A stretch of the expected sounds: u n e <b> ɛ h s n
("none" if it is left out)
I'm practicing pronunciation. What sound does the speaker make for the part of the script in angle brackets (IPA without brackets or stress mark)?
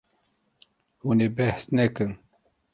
b